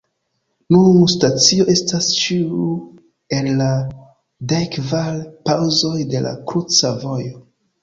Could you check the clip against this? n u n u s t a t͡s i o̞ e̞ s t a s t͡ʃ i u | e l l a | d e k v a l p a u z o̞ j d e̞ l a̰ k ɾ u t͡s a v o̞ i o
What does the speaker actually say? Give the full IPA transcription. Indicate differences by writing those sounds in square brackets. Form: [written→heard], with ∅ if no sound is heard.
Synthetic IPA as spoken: n u n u s t a t͡s i o̞ e̞ s t a s t͡ʃ i u | e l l a | d e k v a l p a [u→w] z o̞ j d e̞ l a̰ k ɾ u t͡s a v o̞ [i→j] o